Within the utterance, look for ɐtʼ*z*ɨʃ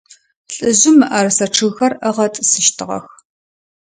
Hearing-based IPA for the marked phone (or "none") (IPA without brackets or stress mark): s